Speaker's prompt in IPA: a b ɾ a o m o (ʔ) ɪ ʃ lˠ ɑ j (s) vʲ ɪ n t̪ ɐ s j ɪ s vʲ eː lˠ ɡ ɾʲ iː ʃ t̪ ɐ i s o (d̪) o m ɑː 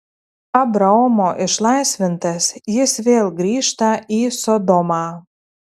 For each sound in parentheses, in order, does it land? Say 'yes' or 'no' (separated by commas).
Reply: yes, yes, yes